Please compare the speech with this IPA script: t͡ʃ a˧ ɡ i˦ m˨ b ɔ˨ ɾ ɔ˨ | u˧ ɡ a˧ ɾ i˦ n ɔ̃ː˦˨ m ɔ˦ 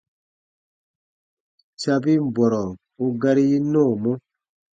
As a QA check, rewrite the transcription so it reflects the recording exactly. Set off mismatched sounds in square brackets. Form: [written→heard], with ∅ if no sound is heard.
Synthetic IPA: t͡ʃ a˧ [ɡ→b] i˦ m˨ b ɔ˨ ɾ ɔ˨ | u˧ ɡ a˧ ɾ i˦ n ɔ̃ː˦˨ m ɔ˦

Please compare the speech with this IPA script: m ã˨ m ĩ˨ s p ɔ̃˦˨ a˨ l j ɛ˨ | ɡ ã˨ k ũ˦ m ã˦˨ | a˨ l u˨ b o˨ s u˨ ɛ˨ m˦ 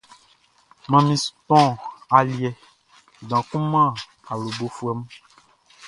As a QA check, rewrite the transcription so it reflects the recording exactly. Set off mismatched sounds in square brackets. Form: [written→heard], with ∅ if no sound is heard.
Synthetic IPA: m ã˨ m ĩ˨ s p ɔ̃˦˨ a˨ l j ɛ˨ | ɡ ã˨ k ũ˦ m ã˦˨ | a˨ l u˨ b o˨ [s→f] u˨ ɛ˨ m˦

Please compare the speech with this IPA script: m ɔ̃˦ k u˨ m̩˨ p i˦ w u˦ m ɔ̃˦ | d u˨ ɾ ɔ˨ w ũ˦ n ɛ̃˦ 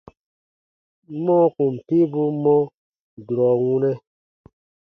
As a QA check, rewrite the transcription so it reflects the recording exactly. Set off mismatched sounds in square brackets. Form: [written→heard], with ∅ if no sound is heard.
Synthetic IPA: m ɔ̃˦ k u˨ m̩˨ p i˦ [w→b] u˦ m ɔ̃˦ | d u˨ ɾ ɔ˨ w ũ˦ n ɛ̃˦

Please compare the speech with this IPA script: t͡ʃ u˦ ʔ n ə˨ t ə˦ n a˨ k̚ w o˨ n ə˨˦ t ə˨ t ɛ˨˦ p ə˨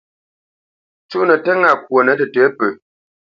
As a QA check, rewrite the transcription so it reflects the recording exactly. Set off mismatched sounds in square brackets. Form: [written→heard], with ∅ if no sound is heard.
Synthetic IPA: t͡ʃ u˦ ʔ n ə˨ t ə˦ [n→ŋ] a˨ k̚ w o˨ n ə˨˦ t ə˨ t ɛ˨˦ p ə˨

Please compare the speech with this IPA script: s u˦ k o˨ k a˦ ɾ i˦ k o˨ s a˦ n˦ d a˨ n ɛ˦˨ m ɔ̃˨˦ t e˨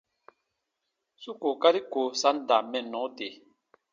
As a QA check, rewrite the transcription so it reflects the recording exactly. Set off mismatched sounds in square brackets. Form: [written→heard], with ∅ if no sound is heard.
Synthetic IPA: s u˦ k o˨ k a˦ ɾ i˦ k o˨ s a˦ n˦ d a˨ [n→m] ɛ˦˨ [m→n] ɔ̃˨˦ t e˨

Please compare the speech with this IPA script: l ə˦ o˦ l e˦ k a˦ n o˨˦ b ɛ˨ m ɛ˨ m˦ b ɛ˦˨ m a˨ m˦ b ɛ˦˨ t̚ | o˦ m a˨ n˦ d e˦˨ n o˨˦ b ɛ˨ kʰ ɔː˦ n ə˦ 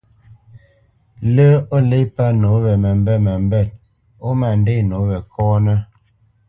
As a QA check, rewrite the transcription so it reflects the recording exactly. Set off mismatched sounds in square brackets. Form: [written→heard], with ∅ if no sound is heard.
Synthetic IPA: l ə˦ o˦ l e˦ [k→p] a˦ n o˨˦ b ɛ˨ m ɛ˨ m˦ b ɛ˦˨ m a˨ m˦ b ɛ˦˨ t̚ | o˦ m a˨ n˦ d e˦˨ n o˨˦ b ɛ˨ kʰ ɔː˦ n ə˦

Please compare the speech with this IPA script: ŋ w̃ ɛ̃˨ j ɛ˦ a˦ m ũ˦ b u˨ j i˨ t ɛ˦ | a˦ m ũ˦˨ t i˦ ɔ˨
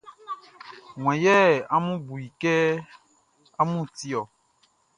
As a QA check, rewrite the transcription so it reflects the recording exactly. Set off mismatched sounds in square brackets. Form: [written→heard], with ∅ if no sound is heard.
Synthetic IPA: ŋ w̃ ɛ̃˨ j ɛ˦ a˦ m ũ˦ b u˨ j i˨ [t→k] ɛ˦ | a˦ m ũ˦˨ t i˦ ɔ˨

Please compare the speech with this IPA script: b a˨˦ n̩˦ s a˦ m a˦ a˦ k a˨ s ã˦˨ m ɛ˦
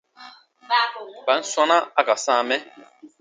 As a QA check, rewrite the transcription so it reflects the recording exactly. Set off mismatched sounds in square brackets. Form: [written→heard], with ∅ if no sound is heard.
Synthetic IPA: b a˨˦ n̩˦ s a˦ [m→n] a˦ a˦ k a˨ s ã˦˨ m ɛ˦

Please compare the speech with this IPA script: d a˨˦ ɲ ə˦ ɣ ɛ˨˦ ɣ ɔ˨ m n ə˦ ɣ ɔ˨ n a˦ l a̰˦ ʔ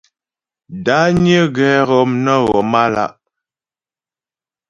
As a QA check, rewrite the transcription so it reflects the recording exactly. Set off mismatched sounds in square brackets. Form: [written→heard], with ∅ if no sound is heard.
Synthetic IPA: d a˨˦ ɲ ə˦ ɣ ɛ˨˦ ɣ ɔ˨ m n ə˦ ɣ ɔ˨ [n→m] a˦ l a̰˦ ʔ

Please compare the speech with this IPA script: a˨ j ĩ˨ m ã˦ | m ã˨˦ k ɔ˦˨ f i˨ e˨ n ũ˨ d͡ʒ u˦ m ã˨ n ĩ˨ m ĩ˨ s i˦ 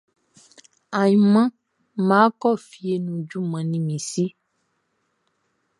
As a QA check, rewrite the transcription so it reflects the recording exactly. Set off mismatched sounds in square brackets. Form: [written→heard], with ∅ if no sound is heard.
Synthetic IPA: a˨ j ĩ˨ m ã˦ | m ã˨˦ k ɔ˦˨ f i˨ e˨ n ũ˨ d͡ʒ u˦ m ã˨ n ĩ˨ m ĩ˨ s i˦

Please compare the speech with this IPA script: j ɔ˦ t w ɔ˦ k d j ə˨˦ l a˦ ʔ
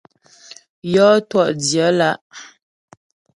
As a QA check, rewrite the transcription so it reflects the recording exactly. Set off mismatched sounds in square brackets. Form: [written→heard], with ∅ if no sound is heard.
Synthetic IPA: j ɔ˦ t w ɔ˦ [k→ʔ] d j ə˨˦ l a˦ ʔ

